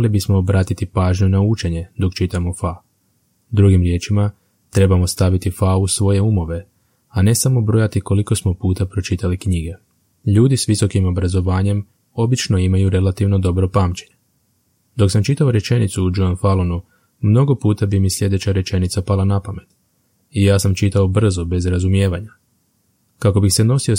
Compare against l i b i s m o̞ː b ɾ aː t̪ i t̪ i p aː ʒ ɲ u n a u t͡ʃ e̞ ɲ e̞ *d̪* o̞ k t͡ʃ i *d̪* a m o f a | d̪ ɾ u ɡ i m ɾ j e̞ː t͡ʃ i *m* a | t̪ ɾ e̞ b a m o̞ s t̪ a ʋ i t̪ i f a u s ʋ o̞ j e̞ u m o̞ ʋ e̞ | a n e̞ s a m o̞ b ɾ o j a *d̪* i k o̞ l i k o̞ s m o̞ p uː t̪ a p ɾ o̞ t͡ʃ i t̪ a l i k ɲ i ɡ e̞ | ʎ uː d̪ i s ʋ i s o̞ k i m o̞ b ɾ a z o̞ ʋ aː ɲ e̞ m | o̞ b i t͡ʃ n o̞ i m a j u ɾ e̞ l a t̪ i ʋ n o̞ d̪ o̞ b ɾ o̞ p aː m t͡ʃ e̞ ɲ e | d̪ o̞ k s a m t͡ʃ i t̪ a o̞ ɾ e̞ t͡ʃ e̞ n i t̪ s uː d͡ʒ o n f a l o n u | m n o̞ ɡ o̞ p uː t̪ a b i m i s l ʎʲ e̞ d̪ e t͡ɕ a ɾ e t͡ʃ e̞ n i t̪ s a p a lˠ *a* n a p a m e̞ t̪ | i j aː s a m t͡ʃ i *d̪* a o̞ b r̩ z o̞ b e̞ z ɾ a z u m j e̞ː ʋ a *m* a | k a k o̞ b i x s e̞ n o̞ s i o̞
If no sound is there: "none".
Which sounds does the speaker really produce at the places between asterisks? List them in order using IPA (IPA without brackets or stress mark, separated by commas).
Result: d̪, t̪, m, t̪, a, t̪, ɲ